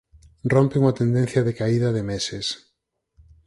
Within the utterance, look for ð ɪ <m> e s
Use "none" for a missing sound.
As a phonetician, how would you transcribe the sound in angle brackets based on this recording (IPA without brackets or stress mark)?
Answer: m